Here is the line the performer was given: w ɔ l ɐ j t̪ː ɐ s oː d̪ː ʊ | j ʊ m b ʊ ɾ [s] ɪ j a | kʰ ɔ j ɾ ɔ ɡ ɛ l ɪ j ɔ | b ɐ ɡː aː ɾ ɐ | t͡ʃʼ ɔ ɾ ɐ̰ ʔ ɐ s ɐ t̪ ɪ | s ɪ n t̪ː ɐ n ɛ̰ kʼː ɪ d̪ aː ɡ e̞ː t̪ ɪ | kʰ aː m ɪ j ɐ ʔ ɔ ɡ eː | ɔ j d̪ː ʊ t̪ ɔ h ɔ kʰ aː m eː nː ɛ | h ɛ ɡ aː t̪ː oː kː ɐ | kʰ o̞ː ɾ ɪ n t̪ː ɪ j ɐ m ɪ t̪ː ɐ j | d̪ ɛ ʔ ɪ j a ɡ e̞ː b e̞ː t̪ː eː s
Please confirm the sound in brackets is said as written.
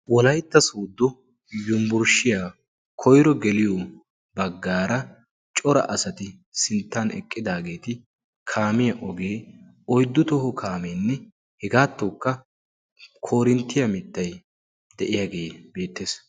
no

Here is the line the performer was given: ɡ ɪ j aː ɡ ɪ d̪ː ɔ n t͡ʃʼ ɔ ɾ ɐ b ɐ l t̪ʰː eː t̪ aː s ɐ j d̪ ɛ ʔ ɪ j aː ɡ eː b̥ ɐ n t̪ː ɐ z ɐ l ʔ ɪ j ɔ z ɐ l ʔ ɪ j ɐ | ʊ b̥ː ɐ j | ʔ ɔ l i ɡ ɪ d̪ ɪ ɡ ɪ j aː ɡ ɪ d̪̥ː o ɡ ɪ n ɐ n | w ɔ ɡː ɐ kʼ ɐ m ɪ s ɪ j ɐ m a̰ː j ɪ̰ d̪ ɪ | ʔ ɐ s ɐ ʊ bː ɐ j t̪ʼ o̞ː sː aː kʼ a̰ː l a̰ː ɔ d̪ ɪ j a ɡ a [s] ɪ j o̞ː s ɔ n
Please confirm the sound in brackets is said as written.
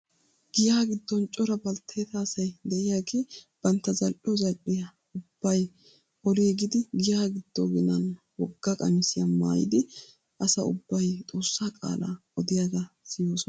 yes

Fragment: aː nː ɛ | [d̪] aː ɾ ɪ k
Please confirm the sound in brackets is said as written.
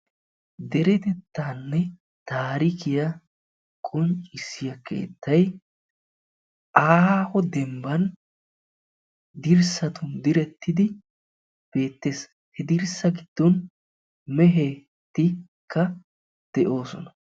no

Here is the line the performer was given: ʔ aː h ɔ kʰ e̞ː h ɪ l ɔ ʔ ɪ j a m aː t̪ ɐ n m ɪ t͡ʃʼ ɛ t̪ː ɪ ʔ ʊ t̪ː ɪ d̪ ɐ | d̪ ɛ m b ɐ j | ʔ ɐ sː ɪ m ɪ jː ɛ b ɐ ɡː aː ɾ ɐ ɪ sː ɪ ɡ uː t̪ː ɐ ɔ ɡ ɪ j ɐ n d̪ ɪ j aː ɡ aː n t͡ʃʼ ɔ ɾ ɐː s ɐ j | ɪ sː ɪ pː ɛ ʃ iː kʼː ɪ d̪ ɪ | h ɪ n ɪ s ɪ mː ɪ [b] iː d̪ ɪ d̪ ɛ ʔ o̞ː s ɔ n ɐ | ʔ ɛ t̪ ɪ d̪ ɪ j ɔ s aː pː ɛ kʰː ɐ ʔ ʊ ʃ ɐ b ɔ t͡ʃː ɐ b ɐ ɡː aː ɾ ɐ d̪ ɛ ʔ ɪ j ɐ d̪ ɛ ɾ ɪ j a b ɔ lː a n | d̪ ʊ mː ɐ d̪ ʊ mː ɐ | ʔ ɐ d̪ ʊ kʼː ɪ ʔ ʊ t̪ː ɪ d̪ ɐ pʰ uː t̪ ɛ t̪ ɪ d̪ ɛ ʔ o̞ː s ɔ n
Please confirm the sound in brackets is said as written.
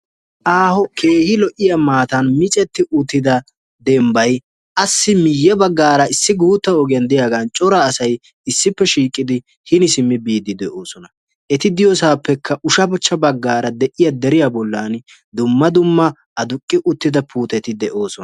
yes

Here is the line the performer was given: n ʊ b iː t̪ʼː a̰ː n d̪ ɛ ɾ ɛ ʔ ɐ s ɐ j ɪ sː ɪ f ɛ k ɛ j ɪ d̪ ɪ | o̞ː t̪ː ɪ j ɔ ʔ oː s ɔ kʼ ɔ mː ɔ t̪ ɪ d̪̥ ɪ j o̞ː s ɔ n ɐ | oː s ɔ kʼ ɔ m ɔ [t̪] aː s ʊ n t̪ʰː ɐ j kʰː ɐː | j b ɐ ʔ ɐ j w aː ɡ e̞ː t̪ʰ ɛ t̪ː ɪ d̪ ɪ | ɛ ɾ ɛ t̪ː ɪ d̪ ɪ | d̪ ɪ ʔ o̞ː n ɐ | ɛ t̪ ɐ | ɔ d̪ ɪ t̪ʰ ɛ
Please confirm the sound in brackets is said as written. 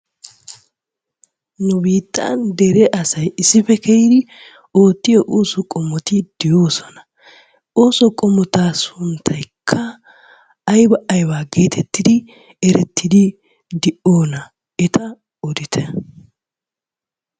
yes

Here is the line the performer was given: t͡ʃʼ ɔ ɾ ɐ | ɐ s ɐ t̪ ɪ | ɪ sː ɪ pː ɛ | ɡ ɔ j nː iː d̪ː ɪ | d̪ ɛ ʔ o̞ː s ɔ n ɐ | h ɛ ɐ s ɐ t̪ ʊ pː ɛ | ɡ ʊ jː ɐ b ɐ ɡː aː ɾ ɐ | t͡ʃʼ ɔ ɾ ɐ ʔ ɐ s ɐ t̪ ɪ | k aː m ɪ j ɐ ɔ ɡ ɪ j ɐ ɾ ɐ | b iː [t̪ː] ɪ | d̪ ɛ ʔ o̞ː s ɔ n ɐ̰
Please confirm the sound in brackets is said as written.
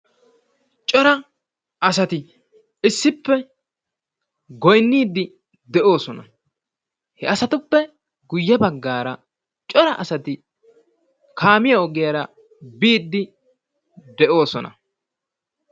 no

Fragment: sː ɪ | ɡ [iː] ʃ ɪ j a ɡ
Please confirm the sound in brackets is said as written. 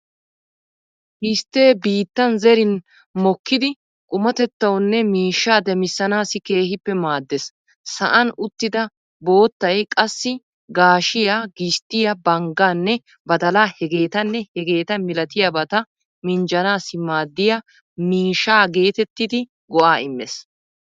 no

